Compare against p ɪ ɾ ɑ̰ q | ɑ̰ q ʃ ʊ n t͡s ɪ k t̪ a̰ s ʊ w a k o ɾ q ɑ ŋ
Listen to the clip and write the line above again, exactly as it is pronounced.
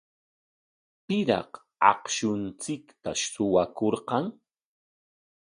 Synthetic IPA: p ɪ ɾ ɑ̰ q | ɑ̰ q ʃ ʊ n t͡s ɪ k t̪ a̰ s ʊ w a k o ɾ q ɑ ŋ